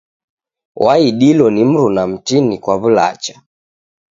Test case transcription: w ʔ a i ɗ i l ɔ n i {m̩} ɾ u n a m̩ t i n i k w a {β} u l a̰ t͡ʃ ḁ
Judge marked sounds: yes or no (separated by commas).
yes, yes